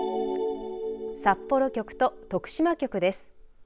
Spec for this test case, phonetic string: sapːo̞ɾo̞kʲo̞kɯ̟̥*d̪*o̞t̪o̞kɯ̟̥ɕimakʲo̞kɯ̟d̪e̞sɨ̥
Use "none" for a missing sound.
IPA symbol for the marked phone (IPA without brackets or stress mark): t̪